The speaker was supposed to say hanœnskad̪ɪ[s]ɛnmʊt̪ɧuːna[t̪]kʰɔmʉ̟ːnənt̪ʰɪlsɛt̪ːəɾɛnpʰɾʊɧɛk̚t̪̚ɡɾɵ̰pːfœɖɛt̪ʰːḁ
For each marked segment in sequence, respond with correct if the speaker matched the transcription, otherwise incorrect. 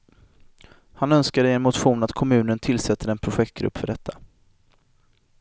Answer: incorrect: none, correct

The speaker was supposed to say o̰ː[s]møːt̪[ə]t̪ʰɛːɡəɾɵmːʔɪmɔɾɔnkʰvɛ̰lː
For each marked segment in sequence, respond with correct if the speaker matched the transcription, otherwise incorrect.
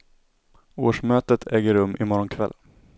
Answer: incorrect: ʂ, correct

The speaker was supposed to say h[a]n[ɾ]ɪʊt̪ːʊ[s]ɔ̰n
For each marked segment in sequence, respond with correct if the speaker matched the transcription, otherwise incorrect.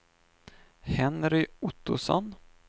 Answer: incorrect: ɛ, correct, correct

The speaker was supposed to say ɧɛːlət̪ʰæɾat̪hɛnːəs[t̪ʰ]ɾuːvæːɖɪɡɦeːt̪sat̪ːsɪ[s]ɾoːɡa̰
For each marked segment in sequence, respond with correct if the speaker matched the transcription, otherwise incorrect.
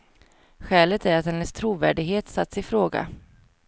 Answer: correct, incorrect: f

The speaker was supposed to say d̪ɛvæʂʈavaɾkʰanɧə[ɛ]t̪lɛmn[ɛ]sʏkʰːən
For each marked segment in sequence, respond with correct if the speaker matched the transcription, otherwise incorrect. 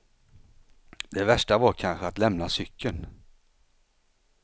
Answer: incorrect: a, incorrect: a

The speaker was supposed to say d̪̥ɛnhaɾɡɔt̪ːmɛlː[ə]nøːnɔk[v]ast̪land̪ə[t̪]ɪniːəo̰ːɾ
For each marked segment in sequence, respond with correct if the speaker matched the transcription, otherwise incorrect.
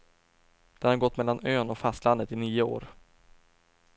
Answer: incorrect: a, incorrect: f, correct

